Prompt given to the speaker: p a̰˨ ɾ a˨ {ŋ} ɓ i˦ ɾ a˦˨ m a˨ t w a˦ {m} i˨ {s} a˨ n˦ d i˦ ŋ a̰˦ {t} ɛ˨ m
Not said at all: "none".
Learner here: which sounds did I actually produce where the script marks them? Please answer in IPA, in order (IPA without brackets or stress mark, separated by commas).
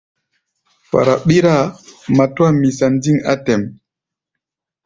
none, m, s, t